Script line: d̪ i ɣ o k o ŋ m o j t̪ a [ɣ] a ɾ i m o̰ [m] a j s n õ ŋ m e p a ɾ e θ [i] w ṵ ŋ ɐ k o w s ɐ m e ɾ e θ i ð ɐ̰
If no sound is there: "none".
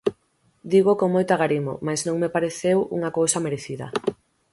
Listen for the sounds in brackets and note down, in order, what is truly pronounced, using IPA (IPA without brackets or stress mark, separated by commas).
ɣ, m, e